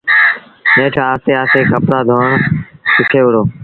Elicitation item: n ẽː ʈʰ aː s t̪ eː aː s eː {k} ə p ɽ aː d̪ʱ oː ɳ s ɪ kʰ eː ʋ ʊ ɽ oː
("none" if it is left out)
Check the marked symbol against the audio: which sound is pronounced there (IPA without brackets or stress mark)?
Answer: k